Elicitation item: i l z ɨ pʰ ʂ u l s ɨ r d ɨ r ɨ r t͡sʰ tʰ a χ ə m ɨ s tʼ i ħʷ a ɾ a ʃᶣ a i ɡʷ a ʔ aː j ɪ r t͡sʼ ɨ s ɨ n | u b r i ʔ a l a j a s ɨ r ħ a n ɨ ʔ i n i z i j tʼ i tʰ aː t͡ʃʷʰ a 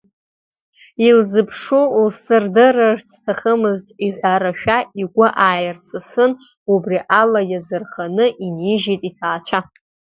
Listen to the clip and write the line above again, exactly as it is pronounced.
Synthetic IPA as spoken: i l z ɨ pʰ ʂ u l s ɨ r d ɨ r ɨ r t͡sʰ tʰ a χ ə m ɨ z tʼ i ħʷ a ɾ a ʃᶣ a i ɡʷ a ʔ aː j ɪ r t͡sʼ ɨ s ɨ n | u b r i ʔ a l a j a z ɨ r χ a n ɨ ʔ i n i ʒ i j tʼ i tʰ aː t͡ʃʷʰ a